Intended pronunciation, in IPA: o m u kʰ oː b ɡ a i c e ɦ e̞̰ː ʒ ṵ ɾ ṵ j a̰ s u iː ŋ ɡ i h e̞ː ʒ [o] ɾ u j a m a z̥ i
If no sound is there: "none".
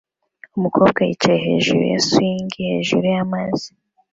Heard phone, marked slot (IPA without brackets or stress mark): u